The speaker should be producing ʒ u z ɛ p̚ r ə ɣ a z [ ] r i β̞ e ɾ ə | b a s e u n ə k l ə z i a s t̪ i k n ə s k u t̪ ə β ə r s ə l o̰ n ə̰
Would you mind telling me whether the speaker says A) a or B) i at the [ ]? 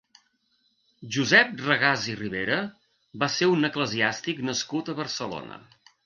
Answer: B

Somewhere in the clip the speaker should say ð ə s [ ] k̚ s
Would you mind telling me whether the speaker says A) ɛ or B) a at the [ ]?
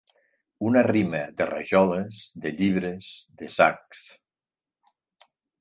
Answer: B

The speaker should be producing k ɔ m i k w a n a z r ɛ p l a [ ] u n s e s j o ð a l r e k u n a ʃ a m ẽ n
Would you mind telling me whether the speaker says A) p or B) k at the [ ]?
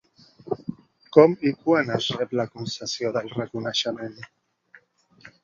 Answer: B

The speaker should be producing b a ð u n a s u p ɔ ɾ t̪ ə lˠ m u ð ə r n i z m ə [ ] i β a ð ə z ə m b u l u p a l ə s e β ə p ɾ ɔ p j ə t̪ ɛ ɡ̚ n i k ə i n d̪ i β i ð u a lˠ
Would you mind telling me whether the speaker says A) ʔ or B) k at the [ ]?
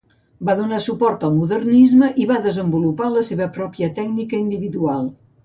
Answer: A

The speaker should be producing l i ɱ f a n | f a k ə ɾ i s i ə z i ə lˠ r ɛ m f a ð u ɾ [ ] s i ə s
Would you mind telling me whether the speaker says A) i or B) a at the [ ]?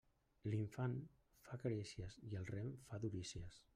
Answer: A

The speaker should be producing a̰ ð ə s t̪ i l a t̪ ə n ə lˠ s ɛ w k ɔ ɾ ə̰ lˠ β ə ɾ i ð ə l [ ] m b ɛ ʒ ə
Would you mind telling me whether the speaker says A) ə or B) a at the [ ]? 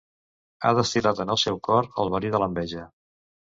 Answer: A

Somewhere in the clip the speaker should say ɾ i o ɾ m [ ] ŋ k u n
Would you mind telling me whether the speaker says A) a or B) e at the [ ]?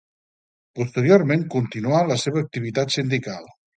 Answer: B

